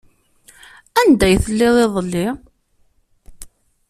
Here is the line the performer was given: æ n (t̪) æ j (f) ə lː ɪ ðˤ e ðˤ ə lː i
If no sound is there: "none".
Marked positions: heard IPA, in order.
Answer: d̪, θ

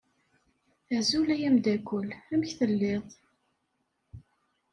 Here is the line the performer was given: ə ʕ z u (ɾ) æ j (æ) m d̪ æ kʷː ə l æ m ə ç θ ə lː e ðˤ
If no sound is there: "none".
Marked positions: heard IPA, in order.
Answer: l, æ

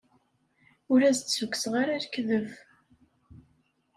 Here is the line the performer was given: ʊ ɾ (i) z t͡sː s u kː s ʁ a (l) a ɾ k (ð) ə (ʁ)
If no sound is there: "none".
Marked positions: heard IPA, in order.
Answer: æ, ɾ, ð, v

